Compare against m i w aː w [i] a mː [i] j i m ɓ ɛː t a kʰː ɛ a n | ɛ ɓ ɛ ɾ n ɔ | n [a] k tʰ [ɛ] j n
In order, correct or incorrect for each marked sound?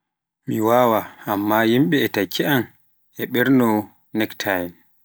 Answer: incorrect: a, incorrect: a, incorrect: ɛ, incorrect: a

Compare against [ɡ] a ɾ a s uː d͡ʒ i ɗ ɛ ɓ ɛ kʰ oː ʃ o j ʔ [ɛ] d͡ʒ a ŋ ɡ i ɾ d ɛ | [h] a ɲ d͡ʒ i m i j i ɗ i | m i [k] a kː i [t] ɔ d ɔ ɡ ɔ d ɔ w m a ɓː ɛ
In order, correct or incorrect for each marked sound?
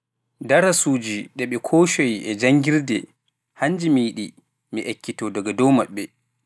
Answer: incorrect: d, correct, correct, incorrect: ʔ, correct

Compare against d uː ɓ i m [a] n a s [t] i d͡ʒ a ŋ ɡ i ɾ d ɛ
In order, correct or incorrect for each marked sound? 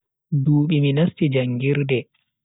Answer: incorrect: i, correct

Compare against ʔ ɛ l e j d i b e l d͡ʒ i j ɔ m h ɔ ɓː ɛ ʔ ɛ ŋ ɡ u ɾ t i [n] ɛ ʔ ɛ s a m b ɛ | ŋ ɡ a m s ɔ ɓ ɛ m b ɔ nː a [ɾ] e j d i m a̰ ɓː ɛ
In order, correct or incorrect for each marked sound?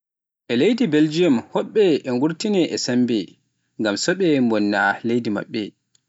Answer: correct, incorrect: l

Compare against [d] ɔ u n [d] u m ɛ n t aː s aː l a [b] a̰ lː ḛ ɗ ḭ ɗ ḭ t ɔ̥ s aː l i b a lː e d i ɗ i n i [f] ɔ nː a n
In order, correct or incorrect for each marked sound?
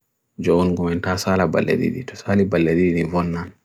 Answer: incorrect: d͡ʒ, incorrect: ɡ, correct, incorrect: v

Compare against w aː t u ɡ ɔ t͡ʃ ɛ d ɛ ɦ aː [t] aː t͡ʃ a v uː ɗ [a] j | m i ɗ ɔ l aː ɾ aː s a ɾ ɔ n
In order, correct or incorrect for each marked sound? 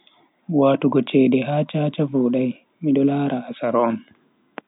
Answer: incorrect: t͡ʃ, correct

